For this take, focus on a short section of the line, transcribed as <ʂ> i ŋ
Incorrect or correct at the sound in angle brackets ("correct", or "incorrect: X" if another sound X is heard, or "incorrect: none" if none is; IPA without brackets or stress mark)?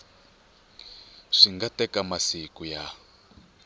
correct